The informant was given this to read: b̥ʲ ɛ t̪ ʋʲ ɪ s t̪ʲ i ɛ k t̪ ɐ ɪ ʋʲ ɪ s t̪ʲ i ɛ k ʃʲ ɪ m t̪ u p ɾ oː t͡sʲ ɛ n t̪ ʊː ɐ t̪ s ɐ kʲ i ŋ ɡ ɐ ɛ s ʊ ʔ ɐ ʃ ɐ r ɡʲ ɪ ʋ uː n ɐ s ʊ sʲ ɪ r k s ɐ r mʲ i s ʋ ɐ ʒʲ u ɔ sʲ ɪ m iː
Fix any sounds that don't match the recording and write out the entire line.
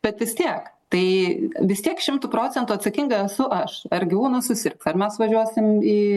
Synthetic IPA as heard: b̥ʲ ɛ t̪ ʋʲ ɪ s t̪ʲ i ɛ k t̪ ɐ ɪ ʋʲ ɪ s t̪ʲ i ɛ k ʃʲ ɪ m t̪ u p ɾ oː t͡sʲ ɛ n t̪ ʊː ɐ t̪ s ɐ kʲ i ŋ ɡ ɐ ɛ s ʊ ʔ ɐ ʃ ɐ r ɡʲ ɪ ʋ uː n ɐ s ʊ sʲ ɪ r k s ɐ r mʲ ɛ s ʋ ɐ ʒʲ u ɔ sʲ ɪ m iː